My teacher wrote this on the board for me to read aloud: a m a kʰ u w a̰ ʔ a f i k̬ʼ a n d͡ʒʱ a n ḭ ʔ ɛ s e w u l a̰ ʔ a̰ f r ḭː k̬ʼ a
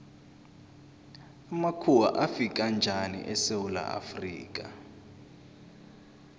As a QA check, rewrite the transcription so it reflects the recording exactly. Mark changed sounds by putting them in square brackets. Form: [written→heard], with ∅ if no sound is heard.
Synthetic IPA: a m a kʰ u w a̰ ʔ a f i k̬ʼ a n d͡ʒʱ a n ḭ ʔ ɛ s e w u l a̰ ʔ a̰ f r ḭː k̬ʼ a